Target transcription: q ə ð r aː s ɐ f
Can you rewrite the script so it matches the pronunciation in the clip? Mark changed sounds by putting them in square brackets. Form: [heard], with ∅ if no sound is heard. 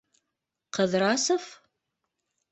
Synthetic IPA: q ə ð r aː s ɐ f